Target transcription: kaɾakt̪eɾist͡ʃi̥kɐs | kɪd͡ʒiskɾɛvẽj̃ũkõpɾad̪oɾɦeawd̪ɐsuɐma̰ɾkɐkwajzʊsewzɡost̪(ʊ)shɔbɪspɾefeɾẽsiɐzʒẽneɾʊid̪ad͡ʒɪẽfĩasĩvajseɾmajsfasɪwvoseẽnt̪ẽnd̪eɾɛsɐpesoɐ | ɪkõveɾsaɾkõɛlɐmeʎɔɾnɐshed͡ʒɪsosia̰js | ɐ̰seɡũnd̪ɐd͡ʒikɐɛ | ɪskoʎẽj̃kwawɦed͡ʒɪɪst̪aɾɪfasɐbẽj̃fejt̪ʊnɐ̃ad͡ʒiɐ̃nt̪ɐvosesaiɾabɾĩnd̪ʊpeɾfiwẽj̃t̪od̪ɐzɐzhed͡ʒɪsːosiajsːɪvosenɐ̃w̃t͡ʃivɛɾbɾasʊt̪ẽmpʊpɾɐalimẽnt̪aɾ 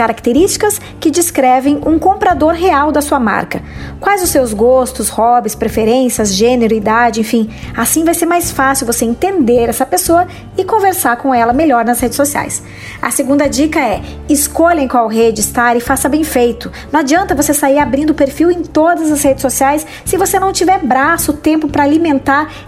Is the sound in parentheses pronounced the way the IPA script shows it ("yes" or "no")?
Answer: yes